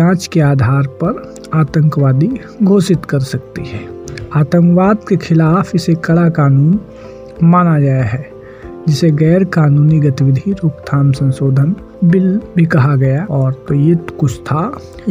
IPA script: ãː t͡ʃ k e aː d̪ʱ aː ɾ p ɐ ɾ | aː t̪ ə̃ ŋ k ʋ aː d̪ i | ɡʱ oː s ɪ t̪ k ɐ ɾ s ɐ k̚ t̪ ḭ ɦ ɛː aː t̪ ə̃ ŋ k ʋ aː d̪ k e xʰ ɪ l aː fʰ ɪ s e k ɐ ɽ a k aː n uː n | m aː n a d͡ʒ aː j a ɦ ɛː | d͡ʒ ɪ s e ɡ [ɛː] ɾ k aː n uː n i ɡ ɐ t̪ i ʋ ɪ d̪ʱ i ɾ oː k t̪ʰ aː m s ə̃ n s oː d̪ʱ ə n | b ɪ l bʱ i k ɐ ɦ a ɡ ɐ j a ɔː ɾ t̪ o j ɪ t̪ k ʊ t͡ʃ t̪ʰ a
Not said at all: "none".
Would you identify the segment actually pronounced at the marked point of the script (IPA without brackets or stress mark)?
ɛː